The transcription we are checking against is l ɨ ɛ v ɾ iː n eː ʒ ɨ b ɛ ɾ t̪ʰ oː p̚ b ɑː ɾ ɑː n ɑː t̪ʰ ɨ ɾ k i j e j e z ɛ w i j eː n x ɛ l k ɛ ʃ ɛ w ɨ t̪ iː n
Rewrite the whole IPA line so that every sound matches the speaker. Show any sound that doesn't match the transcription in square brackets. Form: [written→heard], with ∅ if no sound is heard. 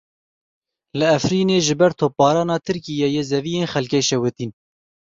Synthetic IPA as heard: l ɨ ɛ [v→f] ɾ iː n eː ʒ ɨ b ɛ ɾ t̪ʰ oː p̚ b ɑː ɾ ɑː n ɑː t̪ʰ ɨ ɾ k i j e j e z ɛ [w→v] i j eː n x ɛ l k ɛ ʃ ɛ w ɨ t̪ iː n

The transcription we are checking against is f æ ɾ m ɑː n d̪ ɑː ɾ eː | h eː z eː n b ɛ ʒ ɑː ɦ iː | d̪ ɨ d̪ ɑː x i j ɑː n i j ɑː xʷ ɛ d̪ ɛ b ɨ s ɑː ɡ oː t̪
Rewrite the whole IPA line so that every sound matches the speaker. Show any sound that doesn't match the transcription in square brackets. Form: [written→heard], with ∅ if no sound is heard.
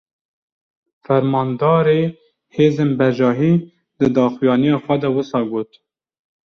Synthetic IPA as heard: f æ ɾ m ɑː n d̪ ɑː ɾ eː | h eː z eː n b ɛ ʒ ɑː ɦ iː | d̪ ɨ d̪ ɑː x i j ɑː n i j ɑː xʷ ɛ d̪ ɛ [b→w] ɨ s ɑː ɡ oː t̪

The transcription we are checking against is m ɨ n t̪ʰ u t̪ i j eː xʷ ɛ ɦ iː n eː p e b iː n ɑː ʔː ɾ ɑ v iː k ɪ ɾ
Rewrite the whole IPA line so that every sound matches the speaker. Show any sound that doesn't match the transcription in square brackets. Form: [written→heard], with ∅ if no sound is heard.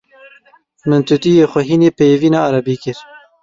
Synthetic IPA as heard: m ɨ n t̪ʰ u t̪ i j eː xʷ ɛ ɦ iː n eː p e [b→v] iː n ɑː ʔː ɾ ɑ [v→b] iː k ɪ ɾ

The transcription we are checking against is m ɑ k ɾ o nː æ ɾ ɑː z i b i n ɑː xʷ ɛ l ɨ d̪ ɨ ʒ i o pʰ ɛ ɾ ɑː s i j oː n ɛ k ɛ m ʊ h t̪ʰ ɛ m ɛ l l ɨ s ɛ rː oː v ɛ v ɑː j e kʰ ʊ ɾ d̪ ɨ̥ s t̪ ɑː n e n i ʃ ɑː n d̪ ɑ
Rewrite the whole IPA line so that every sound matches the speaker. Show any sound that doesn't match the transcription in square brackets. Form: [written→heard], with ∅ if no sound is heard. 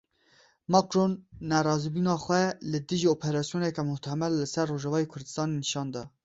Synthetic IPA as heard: m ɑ k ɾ o nː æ ɾ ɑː z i b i n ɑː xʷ ɛ l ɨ d̪ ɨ ʒ i o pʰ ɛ ɾ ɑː s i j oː n ɛ k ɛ m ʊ h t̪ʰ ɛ m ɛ l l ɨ s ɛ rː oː [v→ʒ] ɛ v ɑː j e kʰ ʊ ɾ d̪ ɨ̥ s t̪ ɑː n e n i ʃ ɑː n d̪ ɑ

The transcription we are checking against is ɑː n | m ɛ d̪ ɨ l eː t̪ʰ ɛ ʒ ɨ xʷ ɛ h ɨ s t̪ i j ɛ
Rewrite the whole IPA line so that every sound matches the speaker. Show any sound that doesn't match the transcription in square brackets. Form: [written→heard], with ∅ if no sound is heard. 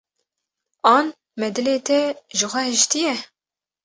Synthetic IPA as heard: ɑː n | m ɛ d̪ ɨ l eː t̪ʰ ɛ ʒ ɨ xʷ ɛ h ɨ [s→ʃ] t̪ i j ɛ

